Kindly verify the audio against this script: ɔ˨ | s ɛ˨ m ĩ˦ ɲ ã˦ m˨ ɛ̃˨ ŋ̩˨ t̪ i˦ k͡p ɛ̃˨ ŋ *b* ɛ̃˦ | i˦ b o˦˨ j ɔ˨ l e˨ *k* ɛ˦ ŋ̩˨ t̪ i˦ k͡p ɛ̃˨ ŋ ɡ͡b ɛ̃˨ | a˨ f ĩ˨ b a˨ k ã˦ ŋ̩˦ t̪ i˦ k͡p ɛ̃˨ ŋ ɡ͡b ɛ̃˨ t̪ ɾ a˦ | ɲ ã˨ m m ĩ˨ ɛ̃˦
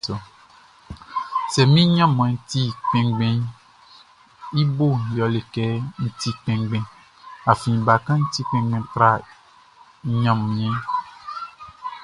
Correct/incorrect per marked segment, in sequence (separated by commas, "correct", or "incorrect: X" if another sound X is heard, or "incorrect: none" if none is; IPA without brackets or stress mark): incorrect: ɡ͡b, correct